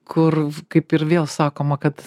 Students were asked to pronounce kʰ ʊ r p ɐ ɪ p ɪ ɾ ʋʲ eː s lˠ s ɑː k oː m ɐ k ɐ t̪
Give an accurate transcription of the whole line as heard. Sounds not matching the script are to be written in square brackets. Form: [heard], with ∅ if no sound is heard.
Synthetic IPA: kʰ ʊ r [k] ɐ ɪ p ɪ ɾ ʋʲ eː [∅] lˠ s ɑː k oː m ɐ k ɐ t̪